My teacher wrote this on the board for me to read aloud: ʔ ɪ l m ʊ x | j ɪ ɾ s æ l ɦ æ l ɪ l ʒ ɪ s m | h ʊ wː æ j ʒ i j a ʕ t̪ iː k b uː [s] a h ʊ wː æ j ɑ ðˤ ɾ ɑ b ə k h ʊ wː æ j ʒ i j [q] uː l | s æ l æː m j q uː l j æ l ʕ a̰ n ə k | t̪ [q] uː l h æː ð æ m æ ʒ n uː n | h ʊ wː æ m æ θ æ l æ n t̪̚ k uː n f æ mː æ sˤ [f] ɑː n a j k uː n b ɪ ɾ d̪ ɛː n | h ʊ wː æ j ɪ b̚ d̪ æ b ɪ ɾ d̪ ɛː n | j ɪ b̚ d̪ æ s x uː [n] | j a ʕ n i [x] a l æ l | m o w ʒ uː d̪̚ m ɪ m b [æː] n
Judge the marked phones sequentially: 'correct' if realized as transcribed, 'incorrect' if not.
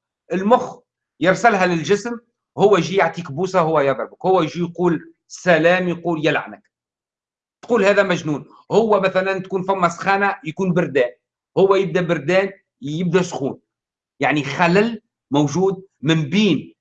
correct, correct, correct, incorrect, correct, correct, incorrect

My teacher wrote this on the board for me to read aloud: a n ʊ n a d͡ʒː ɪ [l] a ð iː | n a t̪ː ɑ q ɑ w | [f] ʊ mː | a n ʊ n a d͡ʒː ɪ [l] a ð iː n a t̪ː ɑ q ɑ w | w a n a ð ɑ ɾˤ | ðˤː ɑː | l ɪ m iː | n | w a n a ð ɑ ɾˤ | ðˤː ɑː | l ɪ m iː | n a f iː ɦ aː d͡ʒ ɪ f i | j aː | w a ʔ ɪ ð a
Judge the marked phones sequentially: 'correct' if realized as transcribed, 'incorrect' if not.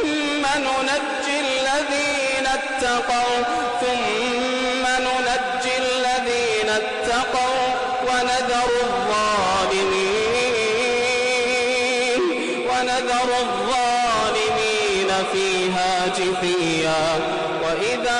incorrect, incorrect, incorrect

